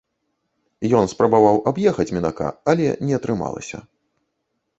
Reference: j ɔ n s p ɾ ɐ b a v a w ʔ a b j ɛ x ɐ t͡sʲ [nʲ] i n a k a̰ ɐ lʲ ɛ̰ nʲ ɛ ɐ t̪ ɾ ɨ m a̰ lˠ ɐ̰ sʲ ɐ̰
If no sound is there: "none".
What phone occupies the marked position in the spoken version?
mʲ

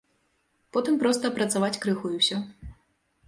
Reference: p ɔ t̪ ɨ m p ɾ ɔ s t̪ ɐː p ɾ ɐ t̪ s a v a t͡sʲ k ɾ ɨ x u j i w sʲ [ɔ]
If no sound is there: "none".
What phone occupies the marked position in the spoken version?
ɔ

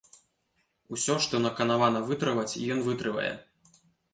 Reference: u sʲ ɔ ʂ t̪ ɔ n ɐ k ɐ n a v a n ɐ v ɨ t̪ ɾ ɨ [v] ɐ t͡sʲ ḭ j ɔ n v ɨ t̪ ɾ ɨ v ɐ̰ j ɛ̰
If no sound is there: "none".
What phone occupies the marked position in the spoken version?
v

